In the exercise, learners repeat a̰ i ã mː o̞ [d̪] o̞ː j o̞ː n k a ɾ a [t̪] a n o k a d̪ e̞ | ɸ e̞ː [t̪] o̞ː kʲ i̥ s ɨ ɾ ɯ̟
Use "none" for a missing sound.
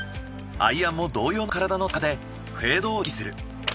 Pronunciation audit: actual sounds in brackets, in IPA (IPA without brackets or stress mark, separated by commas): d̪, d̪, d̪